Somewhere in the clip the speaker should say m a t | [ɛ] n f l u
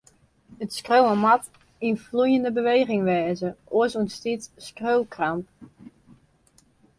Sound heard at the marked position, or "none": i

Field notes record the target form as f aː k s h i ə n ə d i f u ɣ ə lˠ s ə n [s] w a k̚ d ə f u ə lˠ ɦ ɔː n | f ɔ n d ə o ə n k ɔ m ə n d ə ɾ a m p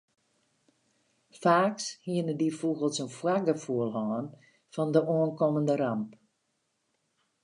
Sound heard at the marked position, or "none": f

